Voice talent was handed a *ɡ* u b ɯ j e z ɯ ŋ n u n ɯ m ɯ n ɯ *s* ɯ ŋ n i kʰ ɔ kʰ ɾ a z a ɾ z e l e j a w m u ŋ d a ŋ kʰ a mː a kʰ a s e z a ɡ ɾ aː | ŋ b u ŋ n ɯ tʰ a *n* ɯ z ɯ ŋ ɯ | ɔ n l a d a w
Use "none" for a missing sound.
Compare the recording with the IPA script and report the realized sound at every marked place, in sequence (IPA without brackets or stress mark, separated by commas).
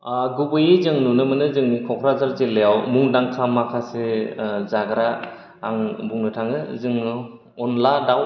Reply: ɡ, z, ŋ